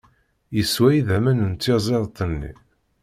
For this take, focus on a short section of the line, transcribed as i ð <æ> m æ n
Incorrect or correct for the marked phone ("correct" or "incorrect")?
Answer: correct